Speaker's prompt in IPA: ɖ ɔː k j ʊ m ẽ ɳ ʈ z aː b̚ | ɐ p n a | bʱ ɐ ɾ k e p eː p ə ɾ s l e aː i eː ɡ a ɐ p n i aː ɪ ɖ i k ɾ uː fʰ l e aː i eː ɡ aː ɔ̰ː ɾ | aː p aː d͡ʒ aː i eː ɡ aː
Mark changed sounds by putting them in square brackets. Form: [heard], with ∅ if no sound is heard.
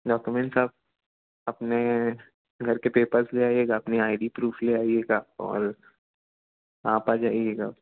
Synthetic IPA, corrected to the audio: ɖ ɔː k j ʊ m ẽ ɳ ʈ [s] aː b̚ | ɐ p n [e] | [ɡʱ] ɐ ɾ k e p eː p ə ɾ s l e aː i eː ɡ a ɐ p n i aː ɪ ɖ i [p] ɾ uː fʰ l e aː i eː ɡ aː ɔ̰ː ɾ | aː p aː d͡ʒ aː i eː ɡ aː